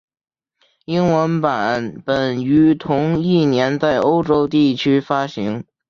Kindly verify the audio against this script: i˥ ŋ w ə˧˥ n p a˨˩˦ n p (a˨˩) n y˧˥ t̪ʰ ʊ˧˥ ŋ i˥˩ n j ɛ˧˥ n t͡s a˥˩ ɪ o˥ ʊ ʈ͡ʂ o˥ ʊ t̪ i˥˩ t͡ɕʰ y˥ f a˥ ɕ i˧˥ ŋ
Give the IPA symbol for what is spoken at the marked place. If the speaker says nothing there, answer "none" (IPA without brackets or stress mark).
ə˨˩